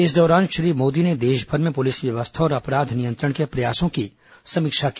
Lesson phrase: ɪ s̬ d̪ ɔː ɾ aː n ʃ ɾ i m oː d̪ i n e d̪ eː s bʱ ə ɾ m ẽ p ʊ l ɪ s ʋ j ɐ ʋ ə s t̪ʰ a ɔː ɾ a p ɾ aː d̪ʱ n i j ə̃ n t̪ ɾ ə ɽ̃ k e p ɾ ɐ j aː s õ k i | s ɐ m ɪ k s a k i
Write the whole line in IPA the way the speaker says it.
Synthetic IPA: ɪ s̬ d̪ ɔː ɾ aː n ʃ ɾ iː m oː d̪ i n e d̪ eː ʃ bʱ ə ɾ m ẽ p ʊ l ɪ s ʋ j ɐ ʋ ə s t̪ʰ a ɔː ɾ ɐ p ɾ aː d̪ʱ n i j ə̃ n t̪ ɾ ə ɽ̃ k e p ɾ ɐ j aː s õ k i | s ɐ m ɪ k ʃ a k i